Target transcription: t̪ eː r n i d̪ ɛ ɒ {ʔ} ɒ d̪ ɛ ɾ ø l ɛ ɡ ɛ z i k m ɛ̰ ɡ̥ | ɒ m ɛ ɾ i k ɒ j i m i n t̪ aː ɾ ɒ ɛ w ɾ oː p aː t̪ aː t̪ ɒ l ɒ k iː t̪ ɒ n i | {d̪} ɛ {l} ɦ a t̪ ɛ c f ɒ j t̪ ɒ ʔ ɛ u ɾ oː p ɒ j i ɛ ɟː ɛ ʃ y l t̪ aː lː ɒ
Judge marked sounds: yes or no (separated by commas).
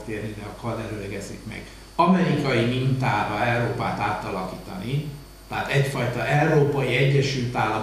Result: no, no, no